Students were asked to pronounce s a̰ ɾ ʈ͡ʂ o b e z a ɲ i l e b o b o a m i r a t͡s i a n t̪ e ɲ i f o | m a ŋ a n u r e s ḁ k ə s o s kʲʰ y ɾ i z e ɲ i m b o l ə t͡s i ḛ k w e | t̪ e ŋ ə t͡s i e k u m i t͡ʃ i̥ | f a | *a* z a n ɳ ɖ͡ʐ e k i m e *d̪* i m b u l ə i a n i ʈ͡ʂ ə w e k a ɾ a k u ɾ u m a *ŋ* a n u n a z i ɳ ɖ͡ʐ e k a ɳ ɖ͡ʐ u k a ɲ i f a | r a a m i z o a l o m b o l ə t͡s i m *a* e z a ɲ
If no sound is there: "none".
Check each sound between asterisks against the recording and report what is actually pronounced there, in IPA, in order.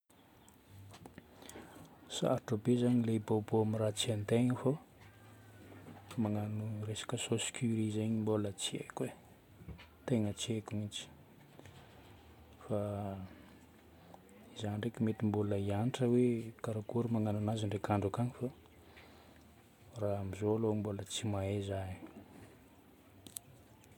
i, t̪, ŋ, a

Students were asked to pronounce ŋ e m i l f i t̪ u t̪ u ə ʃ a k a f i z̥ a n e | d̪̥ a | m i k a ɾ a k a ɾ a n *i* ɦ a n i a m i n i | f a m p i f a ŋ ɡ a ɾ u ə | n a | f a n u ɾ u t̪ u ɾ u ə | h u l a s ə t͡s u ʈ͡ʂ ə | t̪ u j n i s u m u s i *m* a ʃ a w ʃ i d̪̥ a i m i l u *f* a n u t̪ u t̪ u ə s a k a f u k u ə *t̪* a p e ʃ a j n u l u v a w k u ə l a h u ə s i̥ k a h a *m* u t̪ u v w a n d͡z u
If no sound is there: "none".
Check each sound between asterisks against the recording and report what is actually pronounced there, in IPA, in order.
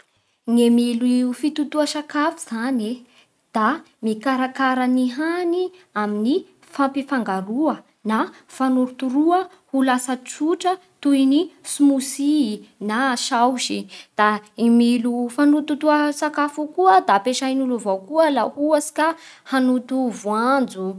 i, n, f, d̪, n

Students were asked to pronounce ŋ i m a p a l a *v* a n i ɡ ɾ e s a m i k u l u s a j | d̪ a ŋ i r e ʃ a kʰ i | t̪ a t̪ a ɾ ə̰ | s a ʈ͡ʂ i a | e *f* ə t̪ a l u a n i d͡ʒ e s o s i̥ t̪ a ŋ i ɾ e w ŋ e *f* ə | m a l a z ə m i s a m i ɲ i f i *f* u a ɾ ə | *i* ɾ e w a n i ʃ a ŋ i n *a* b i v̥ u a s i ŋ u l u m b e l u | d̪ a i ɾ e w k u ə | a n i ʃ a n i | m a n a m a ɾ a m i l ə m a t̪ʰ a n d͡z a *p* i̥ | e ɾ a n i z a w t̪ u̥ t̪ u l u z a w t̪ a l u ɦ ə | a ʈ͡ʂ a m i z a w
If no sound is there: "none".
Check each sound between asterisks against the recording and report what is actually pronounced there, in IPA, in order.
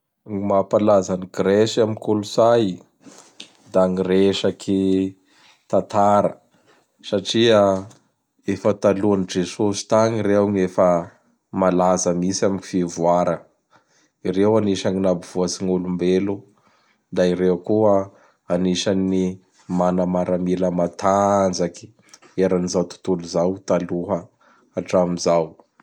z, f, f, v, i, a, k

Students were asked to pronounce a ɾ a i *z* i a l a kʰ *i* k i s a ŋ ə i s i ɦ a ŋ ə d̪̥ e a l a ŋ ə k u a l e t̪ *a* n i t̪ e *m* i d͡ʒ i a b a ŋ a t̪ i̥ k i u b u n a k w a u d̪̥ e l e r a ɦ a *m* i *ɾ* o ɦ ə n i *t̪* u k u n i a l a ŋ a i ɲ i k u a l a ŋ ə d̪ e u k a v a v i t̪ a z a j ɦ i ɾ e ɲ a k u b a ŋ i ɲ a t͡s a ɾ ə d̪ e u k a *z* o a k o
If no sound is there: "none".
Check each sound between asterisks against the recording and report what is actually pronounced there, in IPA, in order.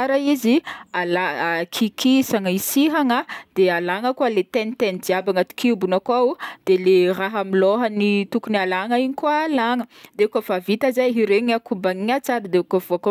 z, i, e, n, m, l, t̪, v

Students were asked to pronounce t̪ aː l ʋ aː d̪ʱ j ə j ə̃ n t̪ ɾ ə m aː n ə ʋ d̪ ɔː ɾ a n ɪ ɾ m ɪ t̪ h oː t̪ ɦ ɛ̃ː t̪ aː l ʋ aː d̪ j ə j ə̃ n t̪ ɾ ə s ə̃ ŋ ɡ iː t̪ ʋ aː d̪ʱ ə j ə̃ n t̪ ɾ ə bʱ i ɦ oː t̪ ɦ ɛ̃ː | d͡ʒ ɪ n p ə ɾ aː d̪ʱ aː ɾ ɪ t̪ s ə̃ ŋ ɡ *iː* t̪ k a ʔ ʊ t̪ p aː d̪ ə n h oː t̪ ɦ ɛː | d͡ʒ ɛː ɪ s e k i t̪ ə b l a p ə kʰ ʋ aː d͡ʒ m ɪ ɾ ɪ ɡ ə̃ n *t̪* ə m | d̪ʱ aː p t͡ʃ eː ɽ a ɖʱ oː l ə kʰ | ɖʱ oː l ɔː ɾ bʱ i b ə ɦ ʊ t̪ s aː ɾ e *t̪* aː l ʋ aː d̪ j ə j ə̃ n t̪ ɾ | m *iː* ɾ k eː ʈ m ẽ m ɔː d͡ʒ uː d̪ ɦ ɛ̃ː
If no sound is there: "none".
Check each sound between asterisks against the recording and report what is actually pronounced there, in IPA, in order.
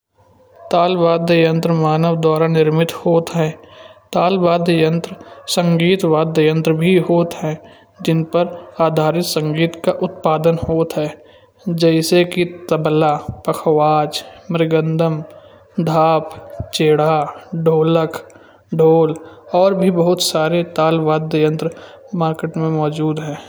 iː, d̪, t̪, aː

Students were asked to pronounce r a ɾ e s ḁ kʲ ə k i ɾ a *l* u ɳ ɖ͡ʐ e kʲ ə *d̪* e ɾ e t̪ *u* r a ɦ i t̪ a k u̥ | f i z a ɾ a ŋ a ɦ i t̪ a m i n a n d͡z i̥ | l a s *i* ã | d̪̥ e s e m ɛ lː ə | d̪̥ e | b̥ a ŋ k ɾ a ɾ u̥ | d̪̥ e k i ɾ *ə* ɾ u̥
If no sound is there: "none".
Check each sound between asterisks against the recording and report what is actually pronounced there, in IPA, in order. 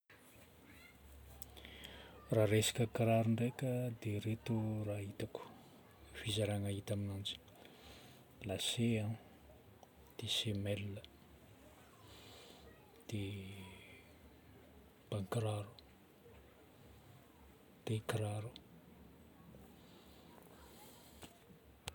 ɾ, d̪, u, e, a

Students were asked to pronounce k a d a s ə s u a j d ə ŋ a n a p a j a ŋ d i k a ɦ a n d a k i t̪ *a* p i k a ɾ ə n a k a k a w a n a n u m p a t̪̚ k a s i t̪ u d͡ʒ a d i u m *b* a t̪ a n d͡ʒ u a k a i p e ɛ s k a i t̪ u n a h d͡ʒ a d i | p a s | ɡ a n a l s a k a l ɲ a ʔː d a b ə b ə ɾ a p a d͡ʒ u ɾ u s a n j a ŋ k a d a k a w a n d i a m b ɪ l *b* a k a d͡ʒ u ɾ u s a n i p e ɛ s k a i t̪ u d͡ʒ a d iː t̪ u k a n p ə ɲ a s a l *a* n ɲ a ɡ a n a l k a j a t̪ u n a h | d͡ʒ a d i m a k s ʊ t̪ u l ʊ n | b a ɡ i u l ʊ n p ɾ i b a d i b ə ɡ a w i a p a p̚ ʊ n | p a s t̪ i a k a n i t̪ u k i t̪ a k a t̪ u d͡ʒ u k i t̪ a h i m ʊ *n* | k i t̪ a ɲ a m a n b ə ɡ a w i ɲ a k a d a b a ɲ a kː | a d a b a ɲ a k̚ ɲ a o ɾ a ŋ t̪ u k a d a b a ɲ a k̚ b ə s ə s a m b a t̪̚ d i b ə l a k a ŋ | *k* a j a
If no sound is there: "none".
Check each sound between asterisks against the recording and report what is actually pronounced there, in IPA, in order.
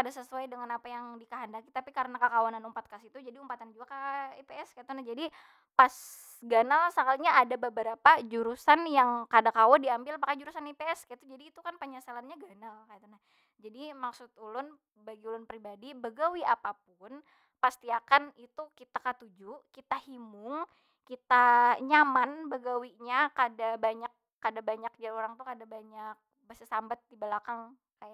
a, p, p, a, ŋ, k

